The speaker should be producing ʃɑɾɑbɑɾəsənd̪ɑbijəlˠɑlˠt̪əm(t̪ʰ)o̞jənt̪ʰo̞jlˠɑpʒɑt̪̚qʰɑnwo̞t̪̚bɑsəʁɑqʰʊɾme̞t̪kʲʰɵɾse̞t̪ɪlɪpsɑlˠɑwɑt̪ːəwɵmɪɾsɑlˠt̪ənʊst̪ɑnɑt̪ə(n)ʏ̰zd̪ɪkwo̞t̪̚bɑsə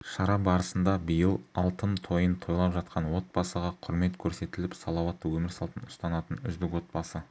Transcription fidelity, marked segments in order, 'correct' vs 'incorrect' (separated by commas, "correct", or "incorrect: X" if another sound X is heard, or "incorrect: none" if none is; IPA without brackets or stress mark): correct, correct